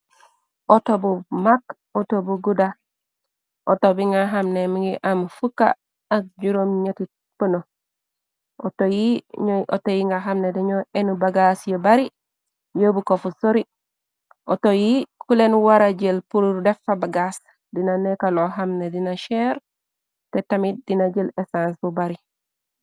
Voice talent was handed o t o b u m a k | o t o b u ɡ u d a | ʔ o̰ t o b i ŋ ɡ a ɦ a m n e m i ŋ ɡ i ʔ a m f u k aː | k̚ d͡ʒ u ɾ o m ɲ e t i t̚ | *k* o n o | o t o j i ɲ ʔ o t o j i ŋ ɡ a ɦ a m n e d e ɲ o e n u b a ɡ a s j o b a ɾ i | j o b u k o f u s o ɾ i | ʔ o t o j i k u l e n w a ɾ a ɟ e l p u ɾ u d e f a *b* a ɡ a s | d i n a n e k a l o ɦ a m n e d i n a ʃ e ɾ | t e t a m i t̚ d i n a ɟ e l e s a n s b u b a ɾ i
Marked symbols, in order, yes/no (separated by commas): no, yes